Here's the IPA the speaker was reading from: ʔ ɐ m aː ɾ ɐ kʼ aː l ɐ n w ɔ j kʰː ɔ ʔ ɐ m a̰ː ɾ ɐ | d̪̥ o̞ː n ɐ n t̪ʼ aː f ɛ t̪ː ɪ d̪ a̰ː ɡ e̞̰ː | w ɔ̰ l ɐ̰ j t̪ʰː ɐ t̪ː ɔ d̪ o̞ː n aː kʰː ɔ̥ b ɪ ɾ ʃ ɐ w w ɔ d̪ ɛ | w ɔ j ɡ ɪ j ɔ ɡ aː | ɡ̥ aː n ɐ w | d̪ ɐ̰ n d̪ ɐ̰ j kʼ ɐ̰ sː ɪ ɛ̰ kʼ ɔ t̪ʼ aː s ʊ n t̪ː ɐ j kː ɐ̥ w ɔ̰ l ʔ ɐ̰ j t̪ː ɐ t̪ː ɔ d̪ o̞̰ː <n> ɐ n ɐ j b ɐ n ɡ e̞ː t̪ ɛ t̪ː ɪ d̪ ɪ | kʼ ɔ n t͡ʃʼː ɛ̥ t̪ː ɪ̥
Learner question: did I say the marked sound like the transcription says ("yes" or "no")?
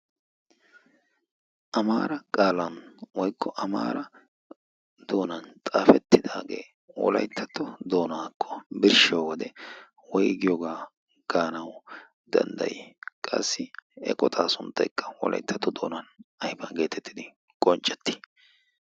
yes